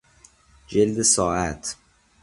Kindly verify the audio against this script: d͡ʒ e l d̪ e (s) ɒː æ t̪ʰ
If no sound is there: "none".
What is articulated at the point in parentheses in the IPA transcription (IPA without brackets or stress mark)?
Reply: s